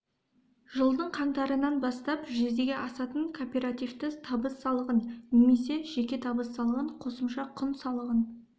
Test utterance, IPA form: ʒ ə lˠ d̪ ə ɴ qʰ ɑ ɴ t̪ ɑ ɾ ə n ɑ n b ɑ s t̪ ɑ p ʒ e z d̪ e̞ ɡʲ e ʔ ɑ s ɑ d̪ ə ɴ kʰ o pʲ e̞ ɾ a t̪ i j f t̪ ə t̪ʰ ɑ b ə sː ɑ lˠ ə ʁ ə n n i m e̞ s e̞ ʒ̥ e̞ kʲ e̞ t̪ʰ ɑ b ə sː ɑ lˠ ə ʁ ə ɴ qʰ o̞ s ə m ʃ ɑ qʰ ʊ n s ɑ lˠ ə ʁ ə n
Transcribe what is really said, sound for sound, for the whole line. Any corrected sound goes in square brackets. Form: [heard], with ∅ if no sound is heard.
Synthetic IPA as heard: ʒ ə lˠ d̪ ə ɴ qʰ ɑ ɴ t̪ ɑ ɾ ə n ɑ n b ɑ s t̪ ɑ p ʒ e z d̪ e̞ ɡʲ e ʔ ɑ s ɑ [t̪] ə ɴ kʰ o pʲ e̞ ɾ a t̪ i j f t̪ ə t̪ʰ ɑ b ə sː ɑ lˠ ə ʁ ə n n [e] m e̞ s e̞ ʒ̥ e̞ kʲ e̞ t̪ʰ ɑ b ə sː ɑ lˠ ə ʁ ə ɴ qʰ o̞ s ə m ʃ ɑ qʰ ʊ n s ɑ lˠ ə ʁ ə n